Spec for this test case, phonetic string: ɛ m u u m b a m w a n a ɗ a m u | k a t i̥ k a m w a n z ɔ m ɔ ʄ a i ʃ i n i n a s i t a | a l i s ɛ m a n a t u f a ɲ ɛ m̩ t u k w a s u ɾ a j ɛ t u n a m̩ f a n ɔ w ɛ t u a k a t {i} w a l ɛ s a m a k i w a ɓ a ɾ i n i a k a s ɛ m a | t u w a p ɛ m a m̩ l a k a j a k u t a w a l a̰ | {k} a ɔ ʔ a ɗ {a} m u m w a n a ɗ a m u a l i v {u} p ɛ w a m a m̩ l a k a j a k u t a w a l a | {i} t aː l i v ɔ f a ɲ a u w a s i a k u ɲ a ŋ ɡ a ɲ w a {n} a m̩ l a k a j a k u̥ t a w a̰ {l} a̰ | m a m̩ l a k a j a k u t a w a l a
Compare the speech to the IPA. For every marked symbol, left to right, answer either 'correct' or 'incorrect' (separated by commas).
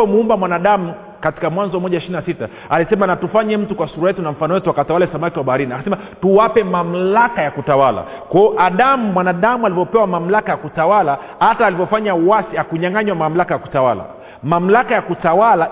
incorrect, correct, correct, incorrect, incorrect, incorrect, correct